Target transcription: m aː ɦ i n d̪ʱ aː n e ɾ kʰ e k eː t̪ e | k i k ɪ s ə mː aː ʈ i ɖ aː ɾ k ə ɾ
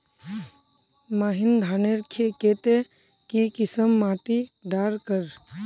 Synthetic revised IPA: m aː ɦ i n d̪ʱ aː n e ɾ kʰ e k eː t̪ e | k i k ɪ s ə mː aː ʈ i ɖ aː ɾ k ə ɾ